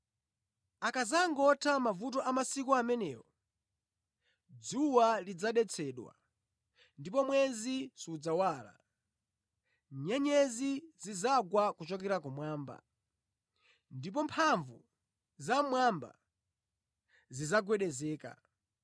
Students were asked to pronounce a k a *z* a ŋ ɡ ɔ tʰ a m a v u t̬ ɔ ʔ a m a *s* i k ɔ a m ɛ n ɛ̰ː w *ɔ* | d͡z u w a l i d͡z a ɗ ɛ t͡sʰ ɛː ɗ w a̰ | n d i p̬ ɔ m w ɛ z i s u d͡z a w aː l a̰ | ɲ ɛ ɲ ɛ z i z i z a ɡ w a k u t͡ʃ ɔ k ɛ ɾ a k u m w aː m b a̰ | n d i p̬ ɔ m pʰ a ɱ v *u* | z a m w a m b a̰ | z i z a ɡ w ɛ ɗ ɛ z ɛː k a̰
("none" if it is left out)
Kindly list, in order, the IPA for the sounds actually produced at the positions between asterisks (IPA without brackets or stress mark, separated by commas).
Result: z, s, ɔ, u